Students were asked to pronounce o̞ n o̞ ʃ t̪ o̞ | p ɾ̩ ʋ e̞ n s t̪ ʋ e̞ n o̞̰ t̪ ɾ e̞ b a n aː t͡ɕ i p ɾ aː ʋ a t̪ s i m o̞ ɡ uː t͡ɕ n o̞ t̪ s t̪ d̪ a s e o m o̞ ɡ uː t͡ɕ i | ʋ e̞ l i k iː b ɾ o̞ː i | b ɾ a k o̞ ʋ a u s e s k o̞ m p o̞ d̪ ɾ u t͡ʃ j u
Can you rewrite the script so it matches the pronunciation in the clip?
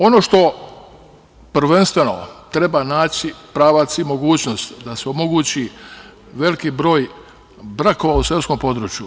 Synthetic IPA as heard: o̞ n o̞ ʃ t̪ o̞ | p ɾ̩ ʋ e̞ n s t̪ ʋ e̞ n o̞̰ t̪ ɾ e̞ b a n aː t͡ɕ i p ɾ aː ʋ a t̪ s i m o̞ ɡ uː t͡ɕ n o̞ s t̪ d̪ a s e o m o̞ ɡ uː t͡ɕ i | ʋ e̞ l i k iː b ɾ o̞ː j | b ɾ a k o̞ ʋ a u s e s k o̞ m p o̞ d̪ ɾ u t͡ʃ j u